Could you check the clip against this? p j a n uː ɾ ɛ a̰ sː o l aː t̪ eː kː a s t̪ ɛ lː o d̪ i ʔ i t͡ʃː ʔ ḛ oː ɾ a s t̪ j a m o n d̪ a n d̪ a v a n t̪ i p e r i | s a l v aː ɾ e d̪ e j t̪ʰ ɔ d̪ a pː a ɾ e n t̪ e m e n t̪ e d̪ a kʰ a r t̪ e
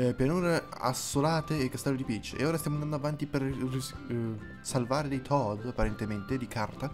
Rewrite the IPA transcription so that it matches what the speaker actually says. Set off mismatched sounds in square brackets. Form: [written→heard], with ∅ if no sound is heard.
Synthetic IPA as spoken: p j a n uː ɾ [ɛ→e] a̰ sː o l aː t̪ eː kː a s t̪ ɛ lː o d̪ i [ʔ→p] i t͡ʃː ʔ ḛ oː ɾ a s t̪ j a m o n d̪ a n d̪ a v a n t̪ i p e r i | s a l v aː ɾ e d̪ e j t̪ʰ ɔ d̪ a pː a ɾ e n t̪ e m e n t̪ e d̪ [a→i] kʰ a r t̪ [e→a]

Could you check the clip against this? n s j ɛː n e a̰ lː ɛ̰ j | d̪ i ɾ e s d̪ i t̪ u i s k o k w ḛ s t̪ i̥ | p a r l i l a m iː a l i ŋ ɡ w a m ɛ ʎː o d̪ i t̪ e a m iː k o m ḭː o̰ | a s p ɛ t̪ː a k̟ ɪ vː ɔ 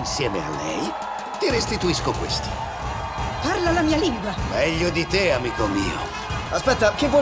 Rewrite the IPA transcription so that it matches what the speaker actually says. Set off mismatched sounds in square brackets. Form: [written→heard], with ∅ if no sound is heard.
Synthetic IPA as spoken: n s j ɛː [n→m] e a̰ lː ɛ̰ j | [d̪→t̪] i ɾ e s [d̪→t̪] i t̪ u i s k o k w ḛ s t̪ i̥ | p a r l [i→a] l a m iː a l i ŋ ɡ w a m ɛ ʎː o d̪ i t̪ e a m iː k o m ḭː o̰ | a s p ɛ t̪ː a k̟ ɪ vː ɔ

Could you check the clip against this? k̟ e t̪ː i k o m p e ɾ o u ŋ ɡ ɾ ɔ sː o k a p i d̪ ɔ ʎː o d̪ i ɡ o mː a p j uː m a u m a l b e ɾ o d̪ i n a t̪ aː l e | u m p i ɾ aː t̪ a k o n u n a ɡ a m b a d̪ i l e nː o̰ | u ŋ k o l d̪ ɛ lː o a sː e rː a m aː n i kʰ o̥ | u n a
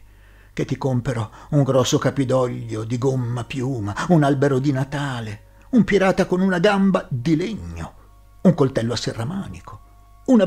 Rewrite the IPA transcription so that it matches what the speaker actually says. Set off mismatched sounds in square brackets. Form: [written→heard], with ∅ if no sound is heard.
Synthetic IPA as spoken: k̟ e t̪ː i k o m p e ɾ o u ŋ ɡ ɾ ɔ sː o k a p i d̪ ɔ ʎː o d̪ i ɡ o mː a p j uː m a u [m→n] a l b e ɾ o d̪ i n a t̪ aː l e | u m p i ɾ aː t̪ a k o n u n a ɡ a m b a d̪ i l e [nː→ɲː] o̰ | u ŋ k o l [d̪→t̪] ɛ lː o a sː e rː a m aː n i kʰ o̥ | u n a

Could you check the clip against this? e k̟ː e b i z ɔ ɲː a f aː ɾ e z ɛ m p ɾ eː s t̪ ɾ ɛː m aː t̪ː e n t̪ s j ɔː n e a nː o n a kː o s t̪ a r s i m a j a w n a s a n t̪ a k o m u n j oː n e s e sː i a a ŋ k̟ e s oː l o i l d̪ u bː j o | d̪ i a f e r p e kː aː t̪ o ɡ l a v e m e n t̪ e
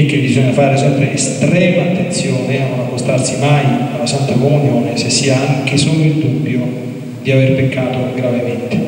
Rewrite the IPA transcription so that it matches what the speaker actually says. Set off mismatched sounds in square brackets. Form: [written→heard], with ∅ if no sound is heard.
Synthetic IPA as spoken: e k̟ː e b i z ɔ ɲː a f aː ɾ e [z→s] ɛ m p ɾ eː s t̪ ɾ ɛː m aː t̪ː e n t̪ s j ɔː n e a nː o n a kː o s t̪ a r s i m a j a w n a s a n t̪ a k o m u n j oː n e s e sː i a a ŋ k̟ e s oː l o i l d̪ u bː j o | d̪ i a [f→v] e r p e kː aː t̪ o ɡ [l→ɾ] a v e m e n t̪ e

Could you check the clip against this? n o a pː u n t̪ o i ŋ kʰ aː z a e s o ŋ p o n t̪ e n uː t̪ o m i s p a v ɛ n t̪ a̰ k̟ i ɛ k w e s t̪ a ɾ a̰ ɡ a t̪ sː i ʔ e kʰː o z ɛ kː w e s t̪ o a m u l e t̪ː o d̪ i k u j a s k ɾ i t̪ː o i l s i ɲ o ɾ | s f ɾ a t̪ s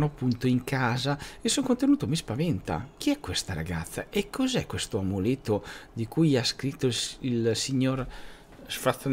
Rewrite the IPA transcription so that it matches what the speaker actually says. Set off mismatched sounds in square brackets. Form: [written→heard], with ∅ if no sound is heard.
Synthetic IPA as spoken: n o a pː u n t̪ o i ŋ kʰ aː z a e s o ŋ [p→k] o n t̪ e n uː t̪ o m i s p a v ɛ n t̪ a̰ k̟ i ɛ k w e s t̪ a ɾ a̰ ɡ a t̪ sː [i→a] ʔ e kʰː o z ɛ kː w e s t̪ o a m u l e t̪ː o d̪ i k u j a s k ɾ i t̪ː o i l s i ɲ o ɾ | s f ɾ a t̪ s

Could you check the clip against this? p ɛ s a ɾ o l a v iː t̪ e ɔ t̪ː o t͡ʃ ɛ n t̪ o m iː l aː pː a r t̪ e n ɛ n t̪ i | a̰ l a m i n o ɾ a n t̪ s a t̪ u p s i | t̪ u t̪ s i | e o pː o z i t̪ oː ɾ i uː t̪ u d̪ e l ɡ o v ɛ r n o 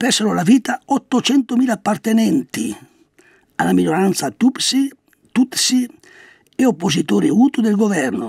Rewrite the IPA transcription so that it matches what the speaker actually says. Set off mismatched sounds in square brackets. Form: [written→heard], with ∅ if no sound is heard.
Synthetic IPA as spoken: p ɛ s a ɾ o l a v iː t̪ [e→a] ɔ t̪ː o t͡ʃ ɛ n t̪ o m iː l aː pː a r t̪ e n ɛ n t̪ i | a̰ l a m i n o ɾ a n t̪ s a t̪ u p s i | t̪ u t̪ s i | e o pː o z i t̪ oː ɾ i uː t̪ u d̪ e l ɡ o v ɛ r n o

